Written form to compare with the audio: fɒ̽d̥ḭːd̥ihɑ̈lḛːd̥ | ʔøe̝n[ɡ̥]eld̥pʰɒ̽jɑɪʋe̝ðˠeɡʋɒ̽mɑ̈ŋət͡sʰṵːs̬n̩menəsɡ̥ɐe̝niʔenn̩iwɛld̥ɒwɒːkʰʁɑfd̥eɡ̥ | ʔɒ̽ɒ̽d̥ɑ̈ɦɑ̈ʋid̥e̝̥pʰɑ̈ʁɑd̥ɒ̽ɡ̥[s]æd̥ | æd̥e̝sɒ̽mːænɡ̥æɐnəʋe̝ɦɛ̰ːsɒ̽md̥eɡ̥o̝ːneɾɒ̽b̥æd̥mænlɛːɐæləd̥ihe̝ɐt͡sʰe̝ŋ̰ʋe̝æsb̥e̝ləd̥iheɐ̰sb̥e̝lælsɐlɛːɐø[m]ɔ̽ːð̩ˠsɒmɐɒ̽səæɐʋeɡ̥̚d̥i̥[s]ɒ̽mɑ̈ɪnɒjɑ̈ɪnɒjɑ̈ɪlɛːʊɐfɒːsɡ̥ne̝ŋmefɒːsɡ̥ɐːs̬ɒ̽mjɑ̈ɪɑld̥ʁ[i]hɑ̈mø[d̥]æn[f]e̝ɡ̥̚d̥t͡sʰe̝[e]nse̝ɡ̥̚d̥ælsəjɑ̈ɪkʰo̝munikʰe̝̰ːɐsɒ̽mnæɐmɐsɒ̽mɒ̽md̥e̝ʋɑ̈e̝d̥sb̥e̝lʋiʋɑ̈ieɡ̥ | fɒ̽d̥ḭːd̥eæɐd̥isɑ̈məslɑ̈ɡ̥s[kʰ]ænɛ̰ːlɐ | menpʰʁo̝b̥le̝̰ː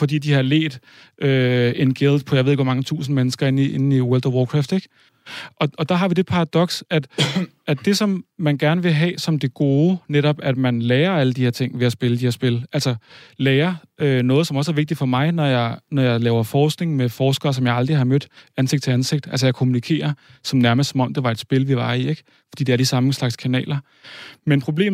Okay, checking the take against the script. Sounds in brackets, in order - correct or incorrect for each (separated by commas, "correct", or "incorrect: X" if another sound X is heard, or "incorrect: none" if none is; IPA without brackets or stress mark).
correct, correct, incorrect: n, incorrect: f, correct, correct, incorrect: s, incorrect: æ, correct